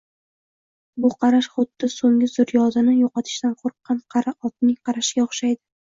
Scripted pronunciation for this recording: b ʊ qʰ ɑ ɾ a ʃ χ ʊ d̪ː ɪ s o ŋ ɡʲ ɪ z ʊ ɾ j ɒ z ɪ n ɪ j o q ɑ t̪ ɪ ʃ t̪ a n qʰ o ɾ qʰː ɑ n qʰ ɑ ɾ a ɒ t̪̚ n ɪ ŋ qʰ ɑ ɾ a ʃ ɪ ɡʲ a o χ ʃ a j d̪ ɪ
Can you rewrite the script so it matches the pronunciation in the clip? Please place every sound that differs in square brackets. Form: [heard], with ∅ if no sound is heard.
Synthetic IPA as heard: b ʊ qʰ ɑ ɾ a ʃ χ ʊ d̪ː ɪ s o ŋ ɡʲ ɪ z ʊ ɾ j ɒ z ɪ n ɪ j o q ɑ [t̪ʰ] ɪ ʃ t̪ a n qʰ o ɾ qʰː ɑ n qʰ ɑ ɾ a ɒ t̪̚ n ɪ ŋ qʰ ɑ ɾ a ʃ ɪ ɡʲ a o χ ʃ a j d̪ ɪ